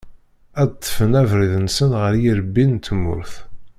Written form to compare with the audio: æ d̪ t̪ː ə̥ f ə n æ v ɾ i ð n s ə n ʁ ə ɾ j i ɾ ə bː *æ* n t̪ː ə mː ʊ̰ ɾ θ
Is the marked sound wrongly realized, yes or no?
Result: yes